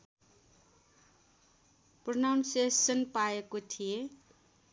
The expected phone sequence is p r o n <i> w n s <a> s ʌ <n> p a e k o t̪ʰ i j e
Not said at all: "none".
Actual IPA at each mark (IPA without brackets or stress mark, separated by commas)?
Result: a, e, n